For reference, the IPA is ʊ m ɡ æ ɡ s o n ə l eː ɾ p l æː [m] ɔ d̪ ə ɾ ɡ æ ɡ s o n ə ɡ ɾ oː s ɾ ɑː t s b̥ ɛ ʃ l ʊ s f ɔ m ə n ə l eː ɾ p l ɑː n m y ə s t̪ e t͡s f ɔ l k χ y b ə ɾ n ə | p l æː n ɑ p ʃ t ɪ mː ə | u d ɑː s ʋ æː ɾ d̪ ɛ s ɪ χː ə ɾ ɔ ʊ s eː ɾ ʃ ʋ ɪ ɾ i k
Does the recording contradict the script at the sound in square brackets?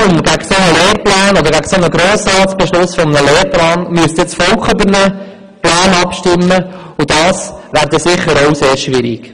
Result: yes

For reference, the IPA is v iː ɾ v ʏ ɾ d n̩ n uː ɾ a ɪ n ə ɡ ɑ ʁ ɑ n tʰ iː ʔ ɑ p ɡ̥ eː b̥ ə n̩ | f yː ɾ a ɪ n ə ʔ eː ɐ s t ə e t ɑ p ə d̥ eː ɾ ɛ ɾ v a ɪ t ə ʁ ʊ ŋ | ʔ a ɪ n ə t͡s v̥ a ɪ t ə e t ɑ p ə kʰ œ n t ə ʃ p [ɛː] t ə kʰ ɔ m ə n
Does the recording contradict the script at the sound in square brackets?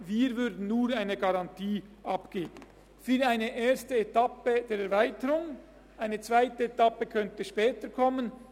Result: no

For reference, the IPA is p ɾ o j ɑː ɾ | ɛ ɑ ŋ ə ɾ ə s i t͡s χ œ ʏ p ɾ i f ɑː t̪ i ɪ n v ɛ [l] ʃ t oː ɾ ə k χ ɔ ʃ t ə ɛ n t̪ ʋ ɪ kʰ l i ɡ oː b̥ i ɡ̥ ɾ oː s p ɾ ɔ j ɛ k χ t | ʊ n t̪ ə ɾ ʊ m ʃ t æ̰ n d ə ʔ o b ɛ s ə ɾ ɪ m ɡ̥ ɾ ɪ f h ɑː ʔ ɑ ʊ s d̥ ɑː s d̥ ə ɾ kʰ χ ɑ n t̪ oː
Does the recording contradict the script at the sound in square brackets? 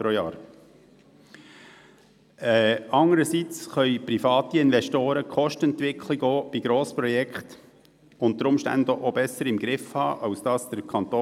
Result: yes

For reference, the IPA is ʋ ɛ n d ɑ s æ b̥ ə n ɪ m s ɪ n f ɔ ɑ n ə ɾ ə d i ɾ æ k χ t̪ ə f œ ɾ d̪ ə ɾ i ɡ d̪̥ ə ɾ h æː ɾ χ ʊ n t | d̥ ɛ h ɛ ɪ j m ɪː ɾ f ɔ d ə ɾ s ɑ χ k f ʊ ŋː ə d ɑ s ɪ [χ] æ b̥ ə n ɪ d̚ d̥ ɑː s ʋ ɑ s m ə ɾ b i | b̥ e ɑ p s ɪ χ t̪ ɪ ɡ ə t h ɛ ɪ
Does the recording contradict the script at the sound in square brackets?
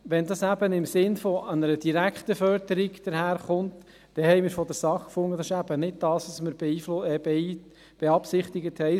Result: yes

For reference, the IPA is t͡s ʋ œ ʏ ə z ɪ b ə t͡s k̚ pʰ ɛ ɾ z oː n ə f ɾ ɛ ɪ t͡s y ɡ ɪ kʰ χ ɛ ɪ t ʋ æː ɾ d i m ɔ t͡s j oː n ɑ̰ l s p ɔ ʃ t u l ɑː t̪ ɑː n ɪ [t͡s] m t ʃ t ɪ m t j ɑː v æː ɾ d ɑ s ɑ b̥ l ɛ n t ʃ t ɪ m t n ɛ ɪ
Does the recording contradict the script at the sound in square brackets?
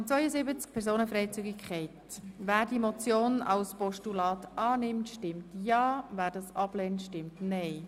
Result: yes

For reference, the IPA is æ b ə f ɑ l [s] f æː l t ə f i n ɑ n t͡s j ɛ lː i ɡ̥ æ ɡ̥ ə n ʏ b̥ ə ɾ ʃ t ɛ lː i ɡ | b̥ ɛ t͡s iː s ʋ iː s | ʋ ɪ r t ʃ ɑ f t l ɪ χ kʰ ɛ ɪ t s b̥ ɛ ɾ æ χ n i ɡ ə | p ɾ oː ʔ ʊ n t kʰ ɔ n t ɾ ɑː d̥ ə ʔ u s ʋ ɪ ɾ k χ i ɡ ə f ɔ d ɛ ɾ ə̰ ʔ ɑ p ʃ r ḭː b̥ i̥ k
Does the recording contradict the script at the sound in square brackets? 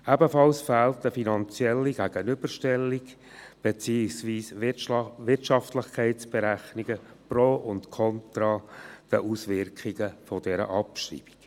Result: no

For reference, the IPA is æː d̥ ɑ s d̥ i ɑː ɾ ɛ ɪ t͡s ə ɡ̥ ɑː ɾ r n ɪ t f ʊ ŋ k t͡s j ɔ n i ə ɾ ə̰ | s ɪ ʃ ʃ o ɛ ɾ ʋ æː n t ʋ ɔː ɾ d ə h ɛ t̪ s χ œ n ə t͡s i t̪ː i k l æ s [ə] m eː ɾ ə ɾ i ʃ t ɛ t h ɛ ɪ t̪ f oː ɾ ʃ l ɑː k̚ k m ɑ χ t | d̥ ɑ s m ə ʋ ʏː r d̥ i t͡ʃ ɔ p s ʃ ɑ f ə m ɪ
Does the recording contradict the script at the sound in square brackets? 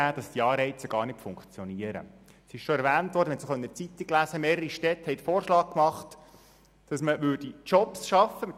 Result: no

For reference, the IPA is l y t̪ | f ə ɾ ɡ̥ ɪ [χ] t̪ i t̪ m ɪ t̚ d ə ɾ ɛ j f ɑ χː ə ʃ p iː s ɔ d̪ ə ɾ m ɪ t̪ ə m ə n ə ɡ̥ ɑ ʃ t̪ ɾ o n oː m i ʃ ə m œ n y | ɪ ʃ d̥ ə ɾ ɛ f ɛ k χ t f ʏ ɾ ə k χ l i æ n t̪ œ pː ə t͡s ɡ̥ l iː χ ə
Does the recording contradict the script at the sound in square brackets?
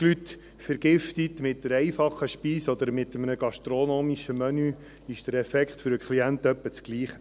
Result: yes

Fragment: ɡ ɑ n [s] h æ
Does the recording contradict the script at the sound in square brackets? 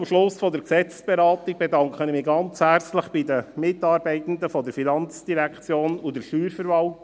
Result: yes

